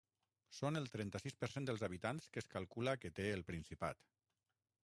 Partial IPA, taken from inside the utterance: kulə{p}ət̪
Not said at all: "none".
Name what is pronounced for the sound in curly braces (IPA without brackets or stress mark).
k